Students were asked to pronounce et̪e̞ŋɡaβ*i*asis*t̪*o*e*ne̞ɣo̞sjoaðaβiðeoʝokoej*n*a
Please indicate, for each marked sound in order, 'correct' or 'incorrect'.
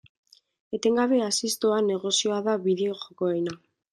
incorrect, correct, incorrect, correct

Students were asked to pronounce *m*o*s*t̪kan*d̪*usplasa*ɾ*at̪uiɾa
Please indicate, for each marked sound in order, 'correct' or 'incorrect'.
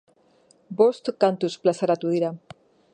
incorrect, correct, incorrect, correct

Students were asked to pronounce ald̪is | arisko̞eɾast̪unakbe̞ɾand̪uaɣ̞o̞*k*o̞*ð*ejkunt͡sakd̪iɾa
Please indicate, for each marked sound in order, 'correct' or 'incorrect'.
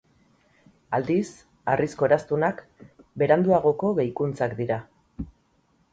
correct, incorrect

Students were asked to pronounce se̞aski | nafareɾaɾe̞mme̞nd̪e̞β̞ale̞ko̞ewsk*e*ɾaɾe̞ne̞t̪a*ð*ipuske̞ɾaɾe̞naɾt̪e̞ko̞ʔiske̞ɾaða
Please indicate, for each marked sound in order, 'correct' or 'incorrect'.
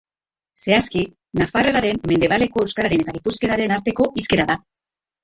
incorrect, incorrect

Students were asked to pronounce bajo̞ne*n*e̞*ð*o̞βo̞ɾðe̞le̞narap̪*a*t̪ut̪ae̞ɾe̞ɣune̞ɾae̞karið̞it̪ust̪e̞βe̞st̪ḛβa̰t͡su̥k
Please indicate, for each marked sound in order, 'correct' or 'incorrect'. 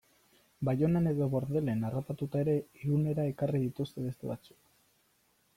correct, correct, correct

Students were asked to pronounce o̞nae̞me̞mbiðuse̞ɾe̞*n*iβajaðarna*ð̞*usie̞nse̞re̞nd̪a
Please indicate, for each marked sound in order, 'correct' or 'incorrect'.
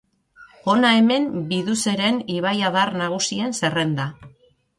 correct, incorrect

